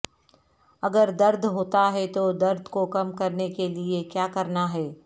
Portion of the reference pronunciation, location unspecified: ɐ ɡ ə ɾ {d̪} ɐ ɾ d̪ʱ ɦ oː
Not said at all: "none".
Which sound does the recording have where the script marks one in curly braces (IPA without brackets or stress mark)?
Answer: d̪